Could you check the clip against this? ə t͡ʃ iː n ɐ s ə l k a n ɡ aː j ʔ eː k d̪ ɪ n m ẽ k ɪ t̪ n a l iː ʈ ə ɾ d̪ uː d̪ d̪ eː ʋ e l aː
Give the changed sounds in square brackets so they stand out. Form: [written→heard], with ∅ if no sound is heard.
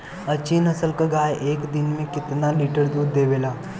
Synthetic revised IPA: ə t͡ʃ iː n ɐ s ə l k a [n→∅] ɡ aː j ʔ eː k d̪ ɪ n m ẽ k ɪ t̪ n a l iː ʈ ə ɾ d̪ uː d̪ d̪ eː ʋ e l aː